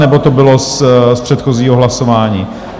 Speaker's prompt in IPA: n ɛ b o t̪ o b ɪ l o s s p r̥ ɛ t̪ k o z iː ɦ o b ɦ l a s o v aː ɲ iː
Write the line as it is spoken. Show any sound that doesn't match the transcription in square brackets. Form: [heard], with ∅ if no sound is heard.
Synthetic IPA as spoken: n ɛ b o t̪ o b ɪ l o s s p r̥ ɛ t̪ [x] o z iː ɦ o [∅] ɦ l a s o v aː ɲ iː

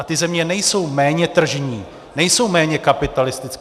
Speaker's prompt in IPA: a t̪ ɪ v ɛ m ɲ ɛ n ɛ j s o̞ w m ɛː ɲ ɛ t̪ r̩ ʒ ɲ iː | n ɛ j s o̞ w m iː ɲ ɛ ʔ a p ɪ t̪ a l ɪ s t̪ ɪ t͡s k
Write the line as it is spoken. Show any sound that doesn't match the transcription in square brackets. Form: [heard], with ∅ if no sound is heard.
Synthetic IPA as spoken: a t̪ ɪ [z] ɛ m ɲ ɛ n ɛ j s o̞ w m ɛː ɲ ɛ t̪ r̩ ʒ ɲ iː | n ɛ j s o̞ w m [ɛː] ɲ ɛ [k] a p ɪ t̪ a l ɪ s t̪ ɪ t͡s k

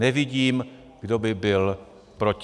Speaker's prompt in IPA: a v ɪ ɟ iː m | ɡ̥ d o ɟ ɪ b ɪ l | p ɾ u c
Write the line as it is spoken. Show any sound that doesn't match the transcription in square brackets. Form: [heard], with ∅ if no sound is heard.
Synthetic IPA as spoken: [ɛ] v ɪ ɟ iː m | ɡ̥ d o [b] ɪ b ɪ l | p ɾ [o] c

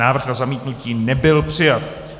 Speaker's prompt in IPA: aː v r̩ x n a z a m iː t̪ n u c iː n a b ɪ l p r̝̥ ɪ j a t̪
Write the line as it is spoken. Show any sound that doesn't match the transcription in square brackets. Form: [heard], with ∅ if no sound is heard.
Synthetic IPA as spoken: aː v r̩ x n a z a m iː t̪ n u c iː n [ɛ] b ɪ l p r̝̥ ɪ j a t̪

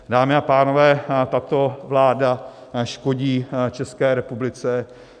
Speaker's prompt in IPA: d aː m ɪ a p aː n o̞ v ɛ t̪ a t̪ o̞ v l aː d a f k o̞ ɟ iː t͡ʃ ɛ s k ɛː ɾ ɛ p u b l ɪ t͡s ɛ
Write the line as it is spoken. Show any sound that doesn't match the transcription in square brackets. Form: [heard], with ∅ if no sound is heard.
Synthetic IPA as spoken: d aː m ɪ a p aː n o̞ v [ɛː] t̪ a t̪ o̞ v l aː d a [ʃ] k o̞ ɟ iː t͡ʃ ɛ s k ɛː ɾ ɛ p u b l ɪ t͡s ɛ

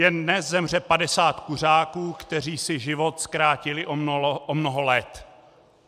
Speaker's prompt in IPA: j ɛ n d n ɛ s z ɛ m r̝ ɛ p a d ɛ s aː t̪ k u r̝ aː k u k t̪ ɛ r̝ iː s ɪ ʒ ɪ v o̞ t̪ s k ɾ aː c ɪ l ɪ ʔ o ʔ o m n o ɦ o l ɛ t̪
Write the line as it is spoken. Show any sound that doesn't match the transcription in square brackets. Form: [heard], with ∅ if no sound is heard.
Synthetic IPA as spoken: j ɛ n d n ɛ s z ɛ m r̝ ɛ p a d ɛ s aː t̪ k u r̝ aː k [uː] k t̪ ɛ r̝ iː s ɪ ʒ ɪ v o̞ t̪ s k ɾ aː c ɪ l ɪ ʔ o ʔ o m n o ɦ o l ɛ t̪

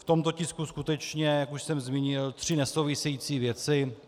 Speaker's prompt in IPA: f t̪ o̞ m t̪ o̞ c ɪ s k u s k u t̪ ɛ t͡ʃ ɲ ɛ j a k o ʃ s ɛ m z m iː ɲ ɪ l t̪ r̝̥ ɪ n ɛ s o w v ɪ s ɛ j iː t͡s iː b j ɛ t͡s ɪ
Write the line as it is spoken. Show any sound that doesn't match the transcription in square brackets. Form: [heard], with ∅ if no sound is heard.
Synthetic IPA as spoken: f t̪ o̞ m t̪ o̞ c ɪ s k u s k u t̪ ɛ t͡ʃ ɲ ɛ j a k [u] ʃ s ɛ m z m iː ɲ ɪ l t̪ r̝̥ ɪ n ɛ s o w v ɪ s ɛ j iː t͡s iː [v] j ɛ t͡s ɪ

